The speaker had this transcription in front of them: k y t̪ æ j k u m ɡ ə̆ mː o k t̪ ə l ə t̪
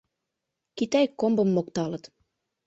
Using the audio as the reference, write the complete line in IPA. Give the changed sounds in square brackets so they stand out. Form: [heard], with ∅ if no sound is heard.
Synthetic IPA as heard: k [i] t̪ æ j k [o] m [b] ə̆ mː o k t̪ [ɑ] l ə t̪